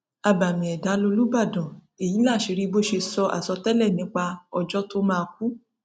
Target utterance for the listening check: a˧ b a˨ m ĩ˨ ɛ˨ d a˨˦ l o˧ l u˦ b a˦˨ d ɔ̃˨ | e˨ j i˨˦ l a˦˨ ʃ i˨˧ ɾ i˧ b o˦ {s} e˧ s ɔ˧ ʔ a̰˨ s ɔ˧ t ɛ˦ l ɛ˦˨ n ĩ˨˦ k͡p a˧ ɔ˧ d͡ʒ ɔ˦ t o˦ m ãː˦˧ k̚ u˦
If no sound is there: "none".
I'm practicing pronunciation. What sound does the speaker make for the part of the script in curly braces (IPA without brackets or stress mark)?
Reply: ʃ